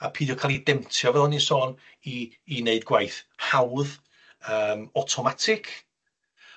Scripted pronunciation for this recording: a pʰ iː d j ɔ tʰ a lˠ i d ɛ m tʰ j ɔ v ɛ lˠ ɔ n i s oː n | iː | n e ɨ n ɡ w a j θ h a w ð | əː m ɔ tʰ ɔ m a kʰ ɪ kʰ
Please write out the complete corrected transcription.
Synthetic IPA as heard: a pʰ iː d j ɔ kʰ a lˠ i d ɛ m tʰ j ɔ v ɛ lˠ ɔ n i s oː n | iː | n e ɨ d ɡ w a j θ h a w ð | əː m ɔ tʰ ɔ m a tʰ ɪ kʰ

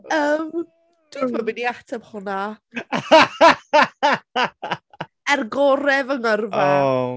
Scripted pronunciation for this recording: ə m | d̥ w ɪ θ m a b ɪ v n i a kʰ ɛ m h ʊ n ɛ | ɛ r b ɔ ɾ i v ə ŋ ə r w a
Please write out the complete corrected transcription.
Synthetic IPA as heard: ə m | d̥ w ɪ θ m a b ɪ n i a tʰ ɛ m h ʊ n a | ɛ r ɡ ɔ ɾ ɛ v ə ŋ ə r v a

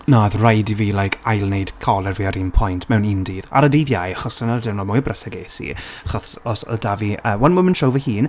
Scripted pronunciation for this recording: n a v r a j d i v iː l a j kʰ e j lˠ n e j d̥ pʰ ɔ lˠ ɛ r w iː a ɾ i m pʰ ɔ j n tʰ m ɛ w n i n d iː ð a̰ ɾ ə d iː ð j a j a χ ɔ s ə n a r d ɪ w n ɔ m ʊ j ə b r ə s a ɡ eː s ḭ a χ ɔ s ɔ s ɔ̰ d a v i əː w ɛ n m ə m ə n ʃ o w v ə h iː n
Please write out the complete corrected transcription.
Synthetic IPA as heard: n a ð r a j d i v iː l a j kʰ a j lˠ n e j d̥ kʰ ɔ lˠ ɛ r v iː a ɾ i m pʰ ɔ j n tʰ m ɛ w n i n d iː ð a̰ ɾ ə d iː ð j a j a χ ɔ s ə n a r d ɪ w n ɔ m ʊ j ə b r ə s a ɡ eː s ḭ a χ ɔ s ɔ s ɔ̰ d a v i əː w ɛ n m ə m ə n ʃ o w v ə h iː n

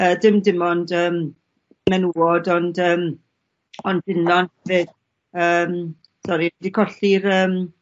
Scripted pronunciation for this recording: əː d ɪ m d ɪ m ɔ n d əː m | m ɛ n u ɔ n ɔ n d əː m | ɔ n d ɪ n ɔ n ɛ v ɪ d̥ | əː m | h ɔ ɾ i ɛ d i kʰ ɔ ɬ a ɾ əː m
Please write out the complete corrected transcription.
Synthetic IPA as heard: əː d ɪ m d ɪ m ɔ n d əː m | m ɛ n u ɔ d ɔ n d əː m | ɔ n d ɪ n ɔ n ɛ v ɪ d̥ | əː m | s ɔ ɾ i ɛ d i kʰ ɔ ɬ i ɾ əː m

